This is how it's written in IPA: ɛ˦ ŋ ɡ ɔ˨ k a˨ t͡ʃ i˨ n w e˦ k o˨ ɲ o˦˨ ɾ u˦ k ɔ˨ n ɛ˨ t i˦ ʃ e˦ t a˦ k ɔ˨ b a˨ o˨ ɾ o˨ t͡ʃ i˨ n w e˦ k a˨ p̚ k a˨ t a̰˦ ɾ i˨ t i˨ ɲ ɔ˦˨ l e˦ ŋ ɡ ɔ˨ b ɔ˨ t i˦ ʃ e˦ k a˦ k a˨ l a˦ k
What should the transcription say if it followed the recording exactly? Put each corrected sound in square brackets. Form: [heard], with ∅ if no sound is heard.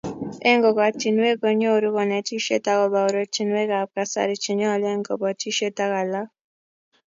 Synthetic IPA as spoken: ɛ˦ ŋ ɡ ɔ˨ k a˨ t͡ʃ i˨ n w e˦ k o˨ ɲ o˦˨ ɾ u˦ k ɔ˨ n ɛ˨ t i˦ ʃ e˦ t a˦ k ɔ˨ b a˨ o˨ ɾ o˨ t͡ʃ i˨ n w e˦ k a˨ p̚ k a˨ [s] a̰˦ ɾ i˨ [t͡ʃ] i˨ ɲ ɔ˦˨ l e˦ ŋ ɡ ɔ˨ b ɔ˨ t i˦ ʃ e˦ [t] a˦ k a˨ l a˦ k